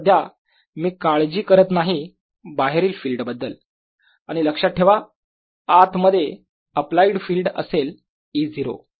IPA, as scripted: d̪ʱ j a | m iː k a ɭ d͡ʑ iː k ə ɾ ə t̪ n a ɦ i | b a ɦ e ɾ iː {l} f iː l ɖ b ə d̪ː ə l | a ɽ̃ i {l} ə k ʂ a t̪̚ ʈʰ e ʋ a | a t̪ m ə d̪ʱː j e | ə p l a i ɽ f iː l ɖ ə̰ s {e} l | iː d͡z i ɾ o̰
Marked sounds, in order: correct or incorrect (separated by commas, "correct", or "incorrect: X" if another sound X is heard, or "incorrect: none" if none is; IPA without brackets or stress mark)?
correct, correct, correct